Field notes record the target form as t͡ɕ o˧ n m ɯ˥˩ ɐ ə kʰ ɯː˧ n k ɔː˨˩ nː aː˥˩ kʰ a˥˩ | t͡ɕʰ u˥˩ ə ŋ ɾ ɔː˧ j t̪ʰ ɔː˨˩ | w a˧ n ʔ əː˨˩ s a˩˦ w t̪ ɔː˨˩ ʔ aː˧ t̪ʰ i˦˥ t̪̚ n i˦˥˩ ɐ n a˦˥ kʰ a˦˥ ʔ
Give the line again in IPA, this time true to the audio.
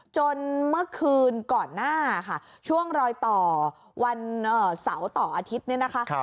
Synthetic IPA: t͡ɕ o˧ n m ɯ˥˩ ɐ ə kʰ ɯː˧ n k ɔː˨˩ nː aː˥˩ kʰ a˥˩ | t͡ɕʰ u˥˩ ə ŋ ɾ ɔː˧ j t̪ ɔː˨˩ | w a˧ n ʔ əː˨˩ s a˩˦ w t̪ ɔː˨˩ ʔ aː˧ t̪ʰ i˦˥ t̪̚ n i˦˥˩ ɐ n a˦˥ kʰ a˦˥ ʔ